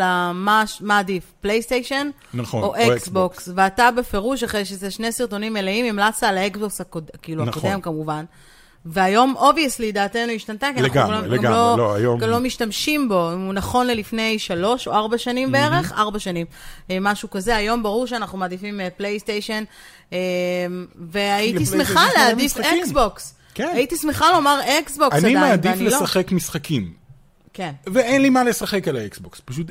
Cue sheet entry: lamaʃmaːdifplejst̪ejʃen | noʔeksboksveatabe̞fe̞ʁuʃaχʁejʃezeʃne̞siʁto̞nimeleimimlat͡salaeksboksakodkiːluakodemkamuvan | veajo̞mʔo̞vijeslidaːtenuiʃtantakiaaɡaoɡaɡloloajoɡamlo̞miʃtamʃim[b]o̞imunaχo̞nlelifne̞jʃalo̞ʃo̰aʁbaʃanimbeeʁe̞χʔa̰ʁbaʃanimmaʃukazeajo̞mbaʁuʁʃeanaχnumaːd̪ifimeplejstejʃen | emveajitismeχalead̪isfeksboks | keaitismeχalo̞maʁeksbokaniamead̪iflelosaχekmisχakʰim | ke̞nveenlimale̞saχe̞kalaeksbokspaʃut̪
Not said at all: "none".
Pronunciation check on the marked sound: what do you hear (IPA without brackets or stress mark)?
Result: b